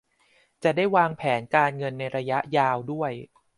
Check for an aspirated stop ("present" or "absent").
present